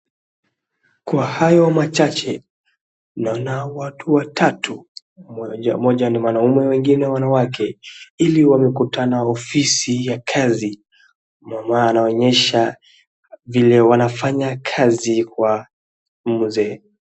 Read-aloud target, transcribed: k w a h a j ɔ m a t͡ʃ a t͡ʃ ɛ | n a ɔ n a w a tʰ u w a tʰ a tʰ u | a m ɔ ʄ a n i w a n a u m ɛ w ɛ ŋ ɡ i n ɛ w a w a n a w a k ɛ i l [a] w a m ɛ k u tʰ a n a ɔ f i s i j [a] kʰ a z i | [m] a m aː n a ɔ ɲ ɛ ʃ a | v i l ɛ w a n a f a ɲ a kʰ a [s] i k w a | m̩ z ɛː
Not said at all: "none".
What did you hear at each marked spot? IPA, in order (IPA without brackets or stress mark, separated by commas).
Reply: i, a, m, z